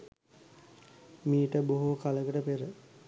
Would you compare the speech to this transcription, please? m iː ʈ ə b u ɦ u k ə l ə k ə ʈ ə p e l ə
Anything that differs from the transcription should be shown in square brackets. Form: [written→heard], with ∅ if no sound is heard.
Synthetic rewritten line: m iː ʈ ə b [u→o] ɦ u k [ə→a] l ə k ə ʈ ə p e [l→ɾ] ə